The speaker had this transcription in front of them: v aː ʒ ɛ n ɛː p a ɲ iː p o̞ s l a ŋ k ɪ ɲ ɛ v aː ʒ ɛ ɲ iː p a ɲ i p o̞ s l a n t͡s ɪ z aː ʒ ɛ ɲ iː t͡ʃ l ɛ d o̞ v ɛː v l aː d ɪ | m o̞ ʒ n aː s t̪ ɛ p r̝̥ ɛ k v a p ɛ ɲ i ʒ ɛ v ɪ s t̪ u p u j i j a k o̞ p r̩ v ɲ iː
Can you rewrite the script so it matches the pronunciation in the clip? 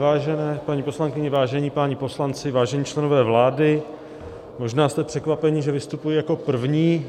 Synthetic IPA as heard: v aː ʒ ɛ n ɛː p a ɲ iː p o̞ s l a ŋ k ɪ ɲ ɛ v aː ʒ ɛ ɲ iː p a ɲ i p o̞ s l a n t͡s ɪ v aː ʒ ɛ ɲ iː t͡ʃ l ɛ n o̞ v ɛː v l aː d ɪ | m o̞ ʒ n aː s t̪ ɛ p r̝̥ ɛ k v a p ɛ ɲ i ʒ ɛ v ɪ s t̪ u p u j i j a k o̞ p r̩ v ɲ iː